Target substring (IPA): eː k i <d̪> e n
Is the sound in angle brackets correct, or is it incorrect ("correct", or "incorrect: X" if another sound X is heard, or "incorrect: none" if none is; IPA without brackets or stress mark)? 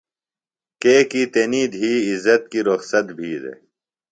incorrect: t̪